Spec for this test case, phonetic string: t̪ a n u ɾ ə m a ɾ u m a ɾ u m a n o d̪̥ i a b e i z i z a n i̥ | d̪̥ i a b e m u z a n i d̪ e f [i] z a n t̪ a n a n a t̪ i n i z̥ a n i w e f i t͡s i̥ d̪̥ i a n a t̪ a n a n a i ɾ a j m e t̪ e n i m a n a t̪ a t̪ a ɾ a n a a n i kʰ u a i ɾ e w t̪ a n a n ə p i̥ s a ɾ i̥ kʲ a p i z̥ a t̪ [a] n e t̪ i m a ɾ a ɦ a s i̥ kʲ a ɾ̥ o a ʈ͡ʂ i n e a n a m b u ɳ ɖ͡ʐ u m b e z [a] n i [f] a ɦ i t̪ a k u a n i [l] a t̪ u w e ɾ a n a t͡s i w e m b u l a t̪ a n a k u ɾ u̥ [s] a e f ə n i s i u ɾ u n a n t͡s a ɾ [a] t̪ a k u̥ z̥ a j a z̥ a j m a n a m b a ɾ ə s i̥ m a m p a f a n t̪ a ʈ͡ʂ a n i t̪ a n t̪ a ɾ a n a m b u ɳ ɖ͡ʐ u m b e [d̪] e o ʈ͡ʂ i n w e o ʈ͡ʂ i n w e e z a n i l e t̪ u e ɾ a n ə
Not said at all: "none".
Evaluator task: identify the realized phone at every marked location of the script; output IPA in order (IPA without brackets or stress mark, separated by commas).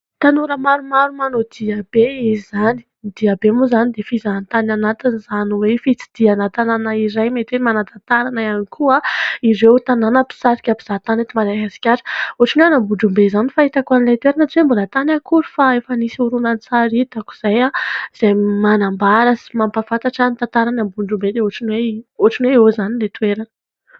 i, a, a, f, l, f, i, d̪